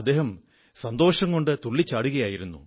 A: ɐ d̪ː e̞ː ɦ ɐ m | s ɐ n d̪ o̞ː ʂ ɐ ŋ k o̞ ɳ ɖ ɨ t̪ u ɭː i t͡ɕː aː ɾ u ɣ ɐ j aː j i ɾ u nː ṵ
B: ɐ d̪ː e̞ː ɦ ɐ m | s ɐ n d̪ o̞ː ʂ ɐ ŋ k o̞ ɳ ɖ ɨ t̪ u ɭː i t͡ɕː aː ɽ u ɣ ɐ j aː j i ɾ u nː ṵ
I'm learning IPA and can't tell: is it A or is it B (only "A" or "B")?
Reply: B